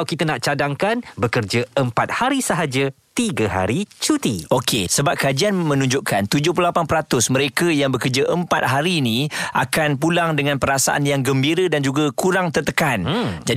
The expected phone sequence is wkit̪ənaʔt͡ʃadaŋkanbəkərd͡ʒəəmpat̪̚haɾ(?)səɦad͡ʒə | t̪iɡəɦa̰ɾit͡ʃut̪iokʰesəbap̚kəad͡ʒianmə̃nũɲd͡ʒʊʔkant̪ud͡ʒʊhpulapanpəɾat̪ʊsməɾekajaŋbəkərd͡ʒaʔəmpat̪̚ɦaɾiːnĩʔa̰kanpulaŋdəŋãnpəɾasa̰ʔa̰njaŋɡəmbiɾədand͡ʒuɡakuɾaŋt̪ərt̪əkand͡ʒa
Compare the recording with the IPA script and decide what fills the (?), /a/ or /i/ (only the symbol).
i